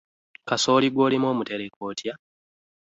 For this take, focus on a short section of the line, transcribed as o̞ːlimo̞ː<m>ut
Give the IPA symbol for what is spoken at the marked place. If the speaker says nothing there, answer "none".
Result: m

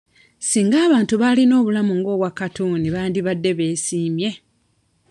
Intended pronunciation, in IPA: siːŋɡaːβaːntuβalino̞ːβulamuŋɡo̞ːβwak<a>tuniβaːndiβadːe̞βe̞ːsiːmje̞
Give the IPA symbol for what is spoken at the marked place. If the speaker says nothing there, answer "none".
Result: a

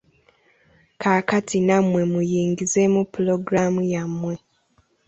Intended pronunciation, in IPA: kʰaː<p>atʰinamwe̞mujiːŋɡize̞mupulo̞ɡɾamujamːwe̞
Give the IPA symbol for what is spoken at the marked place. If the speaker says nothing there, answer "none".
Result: k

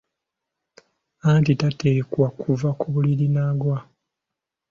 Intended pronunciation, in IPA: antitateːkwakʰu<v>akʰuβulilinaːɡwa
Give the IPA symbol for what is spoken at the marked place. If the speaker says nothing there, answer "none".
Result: v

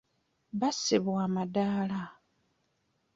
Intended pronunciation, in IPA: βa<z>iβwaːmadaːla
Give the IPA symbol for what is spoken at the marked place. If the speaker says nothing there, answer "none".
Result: s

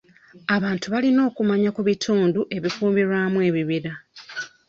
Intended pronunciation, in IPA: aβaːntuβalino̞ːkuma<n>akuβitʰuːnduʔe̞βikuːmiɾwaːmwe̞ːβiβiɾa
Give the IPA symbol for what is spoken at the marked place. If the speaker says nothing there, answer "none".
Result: ɲ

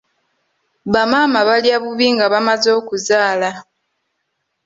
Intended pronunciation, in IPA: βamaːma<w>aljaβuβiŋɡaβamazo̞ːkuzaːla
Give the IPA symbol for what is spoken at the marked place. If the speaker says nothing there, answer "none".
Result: β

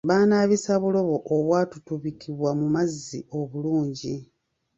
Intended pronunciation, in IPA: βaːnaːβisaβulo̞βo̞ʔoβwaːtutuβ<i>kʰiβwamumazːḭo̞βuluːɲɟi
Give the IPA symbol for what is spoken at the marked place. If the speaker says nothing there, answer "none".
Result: i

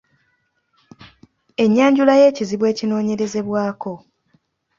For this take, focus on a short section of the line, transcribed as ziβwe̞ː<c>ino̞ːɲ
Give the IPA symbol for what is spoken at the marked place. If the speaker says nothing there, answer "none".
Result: c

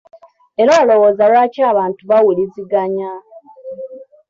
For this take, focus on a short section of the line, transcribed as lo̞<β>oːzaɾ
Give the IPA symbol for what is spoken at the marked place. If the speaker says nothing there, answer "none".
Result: w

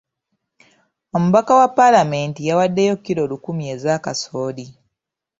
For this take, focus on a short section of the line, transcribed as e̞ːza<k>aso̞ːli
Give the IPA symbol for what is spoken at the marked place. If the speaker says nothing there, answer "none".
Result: k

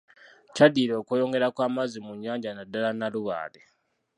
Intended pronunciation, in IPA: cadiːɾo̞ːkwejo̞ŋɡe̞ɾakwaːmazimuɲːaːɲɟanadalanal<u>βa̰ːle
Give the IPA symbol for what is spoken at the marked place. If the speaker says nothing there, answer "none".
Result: u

